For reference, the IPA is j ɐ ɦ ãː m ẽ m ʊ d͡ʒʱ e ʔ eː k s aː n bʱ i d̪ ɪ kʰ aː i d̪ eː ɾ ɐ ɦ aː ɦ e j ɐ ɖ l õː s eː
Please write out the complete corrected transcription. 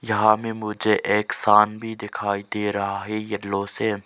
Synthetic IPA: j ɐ ɦ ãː m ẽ m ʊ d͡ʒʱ e ʔ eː k s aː n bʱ i d̪ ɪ kʰ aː i d̪ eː ɾ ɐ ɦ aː ɦ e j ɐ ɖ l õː s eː